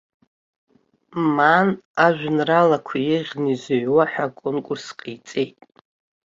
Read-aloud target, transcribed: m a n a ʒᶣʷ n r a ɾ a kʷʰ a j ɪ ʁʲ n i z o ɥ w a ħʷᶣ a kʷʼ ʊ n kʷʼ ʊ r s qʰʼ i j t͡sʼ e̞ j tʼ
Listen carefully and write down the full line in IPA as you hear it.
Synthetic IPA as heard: m a n a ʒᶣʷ n r a l a kʷʰ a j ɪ ʁʲ n i z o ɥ w a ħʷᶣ a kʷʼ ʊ n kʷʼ ʊ r s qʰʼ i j t͡sʼ e̞ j tʼ